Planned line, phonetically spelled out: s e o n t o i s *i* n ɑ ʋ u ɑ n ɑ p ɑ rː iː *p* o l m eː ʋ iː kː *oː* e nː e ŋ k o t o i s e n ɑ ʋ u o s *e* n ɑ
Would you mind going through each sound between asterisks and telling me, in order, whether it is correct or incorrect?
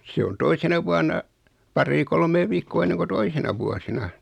incorrect, incorrect, correct, incorrect

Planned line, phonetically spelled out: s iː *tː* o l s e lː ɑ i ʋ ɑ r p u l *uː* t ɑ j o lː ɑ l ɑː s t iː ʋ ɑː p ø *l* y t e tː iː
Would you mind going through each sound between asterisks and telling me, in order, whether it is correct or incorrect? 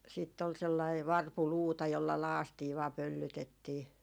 correct, correct, incorrect

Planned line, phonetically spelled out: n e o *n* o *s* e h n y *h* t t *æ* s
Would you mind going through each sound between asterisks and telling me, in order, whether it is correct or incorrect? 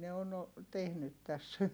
correct, incorrect, incorrect, correct

